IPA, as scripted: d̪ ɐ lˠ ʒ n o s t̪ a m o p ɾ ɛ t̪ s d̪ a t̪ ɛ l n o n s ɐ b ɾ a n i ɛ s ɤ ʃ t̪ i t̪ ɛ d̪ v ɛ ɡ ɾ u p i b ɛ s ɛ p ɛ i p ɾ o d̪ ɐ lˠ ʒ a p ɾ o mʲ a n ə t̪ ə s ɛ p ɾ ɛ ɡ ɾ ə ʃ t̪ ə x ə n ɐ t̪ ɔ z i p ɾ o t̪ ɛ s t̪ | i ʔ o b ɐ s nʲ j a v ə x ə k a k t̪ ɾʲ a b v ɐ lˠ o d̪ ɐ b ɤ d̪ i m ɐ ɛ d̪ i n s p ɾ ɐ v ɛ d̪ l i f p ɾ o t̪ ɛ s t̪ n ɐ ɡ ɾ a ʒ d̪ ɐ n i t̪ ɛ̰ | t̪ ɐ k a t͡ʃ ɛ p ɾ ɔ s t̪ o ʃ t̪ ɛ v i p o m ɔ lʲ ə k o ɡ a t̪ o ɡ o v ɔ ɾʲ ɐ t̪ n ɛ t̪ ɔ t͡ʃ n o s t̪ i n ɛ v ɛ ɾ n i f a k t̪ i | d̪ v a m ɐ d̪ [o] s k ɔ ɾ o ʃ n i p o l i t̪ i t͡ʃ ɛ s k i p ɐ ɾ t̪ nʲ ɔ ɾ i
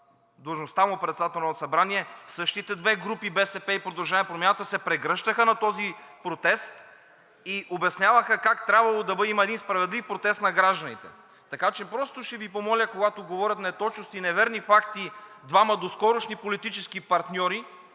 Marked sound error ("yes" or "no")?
no